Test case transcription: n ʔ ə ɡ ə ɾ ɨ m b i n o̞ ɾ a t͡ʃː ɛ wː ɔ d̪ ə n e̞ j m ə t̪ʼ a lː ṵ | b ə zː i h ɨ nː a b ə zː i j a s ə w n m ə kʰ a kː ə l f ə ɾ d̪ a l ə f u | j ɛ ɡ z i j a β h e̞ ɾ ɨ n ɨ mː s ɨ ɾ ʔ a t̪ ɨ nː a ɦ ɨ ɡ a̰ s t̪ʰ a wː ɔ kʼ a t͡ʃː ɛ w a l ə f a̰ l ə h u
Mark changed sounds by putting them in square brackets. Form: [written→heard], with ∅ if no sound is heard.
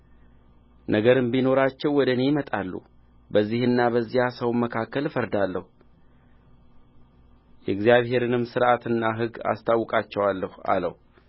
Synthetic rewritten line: n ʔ ə ɡ ə ɾ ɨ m b i n o̞ ɾ a t͡ʃː ɛ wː ɔ d̪ ə n e̞ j m ə t̪ʼ a lː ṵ | b ə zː i h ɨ nː a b ə zː i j a s ə w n m ə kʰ a kː ə l f ə ɾ d̪ a [l→lː] ə [f→h] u | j ɛ ɡ z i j a β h e̞ ɾ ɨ n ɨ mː s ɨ ɾ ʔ a t̪ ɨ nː a ɦ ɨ ɡ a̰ s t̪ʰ a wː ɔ kʼ a t͡ʃː ɛ w a [l→lː] ə [f→h] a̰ l ə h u